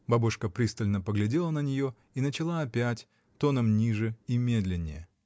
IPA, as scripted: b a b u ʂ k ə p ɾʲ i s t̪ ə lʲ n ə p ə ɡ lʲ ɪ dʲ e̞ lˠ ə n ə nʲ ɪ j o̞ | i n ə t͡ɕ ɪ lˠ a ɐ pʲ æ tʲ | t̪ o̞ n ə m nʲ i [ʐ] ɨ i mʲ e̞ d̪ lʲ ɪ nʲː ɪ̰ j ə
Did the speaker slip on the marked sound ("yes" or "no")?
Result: no